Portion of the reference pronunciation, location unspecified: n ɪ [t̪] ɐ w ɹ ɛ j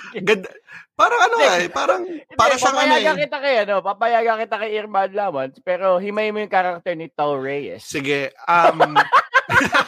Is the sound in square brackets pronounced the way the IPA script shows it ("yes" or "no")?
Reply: yes